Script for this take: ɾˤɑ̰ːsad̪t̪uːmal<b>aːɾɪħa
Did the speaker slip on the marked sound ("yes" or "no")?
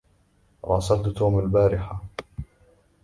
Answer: no